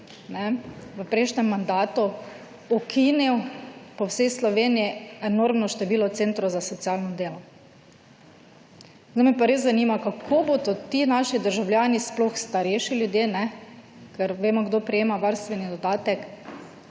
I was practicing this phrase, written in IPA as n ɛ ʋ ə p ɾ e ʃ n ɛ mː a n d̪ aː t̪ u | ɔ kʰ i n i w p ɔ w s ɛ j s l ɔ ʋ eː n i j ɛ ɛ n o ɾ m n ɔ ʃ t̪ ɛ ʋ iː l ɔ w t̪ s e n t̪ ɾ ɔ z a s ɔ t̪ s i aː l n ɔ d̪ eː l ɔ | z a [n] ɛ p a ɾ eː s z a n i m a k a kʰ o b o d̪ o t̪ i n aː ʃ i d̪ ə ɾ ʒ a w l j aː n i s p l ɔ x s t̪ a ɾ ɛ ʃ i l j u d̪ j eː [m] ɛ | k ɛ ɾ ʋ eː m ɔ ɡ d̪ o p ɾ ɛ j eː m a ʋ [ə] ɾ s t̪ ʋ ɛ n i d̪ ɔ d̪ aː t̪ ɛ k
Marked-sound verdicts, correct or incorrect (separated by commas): incorrect, incorrect, incorrect